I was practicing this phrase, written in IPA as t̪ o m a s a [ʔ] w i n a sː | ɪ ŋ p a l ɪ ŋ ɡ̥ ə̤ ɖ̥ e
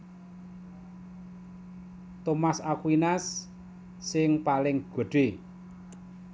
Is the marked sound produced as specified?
no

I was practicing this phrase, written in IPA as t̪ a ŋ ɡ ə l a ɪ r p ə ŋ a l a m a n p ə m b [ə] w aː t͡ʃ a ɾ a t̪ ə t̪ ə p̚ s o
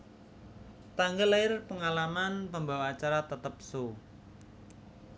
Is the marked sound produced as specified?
no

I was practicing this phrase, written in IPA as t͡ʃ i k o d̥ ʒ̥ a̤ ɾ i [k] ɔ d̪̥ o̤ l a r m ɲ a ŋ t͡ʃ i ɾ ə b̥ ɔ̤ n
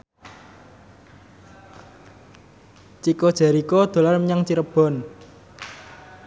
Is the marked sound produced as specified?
yes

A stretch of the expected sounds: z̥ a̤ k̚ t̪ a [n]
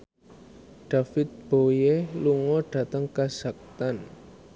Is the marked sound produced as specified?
yes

